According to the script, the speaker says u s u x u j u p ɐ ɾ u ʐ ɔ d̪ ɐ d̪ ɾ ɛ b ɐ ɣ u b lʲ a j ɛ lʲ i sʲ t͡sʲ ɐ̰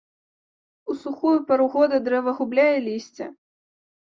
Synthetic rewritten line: u s u x u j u p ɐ ɾ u ɣ ɔ d̪ ɐ d̪ ɾ ɛ v ɐ ɣ u b lʲ a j ɛ lʲ i sʲ t͡sʲ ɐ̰